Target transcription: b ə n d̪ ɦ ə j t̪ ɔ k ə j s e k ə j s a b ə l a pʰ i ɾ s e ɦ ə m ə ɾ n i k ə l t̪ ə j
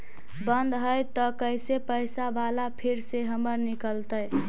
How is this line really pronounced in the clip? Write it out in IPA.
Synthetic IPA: b ə n d̪ ɦ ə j t̪ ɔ k ə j s e p ə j s a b a l a pʰ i ɾ s e ɦ ə m ə ɾ n i k ə l t̪ ə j